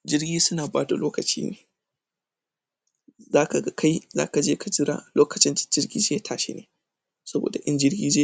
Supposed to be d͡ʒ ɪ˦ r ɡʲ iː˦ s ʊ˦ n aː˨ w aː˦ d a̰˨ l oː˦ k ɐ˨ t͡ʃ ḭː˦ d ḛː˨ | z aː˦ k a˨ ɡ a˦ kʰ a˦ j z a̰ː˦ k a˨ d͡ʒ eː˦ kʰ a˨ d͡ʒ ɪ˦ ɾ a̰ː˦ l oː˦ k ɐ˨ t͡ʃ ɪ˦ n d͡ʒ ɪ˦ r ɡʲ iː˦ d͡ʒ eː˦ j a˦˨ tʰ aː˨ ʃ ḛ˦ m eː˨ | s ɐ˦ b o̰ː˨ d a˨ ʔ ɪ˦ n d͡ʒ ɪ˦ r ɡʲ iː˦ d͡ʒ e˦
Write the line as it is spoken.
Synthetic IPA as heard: d͡ʒ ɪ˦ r ɡʲ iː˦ s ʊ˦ n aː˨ b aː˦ d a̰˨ l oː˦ k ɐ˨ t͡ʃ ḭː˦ n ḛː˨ | z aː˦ k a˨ ɡ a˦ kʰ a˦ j z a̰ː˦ k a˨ d͡ʒ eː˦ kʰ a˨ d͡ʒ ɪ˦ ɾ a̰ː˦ l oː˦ k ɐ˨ t͡ʃ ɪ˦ n d͡ʒ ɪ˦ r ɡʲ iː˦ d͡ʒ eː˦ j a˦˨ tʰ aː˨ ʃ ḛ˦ n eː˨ | s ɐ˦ b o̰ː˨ d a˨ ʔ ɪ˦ n d͡ʒ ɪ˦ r ɡʲ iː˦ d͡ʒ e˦